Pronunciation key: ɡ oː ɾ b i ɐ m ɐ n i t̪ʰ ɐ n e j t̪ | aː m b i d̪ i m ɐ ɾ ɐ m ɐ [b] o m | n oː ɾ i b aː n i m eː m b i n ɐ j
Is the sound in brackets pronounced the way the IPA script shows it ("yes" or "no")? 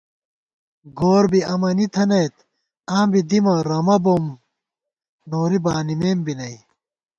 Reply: yes